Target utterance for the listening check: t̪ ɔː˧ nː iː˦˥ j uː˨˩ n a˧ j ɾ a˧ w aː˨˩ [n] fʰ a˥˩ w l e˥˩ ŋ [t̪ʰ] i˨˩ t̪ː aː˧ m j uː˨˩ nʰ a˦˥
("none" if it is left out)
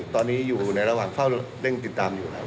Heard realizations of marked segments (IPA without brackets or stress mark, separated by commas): ŋ, t̪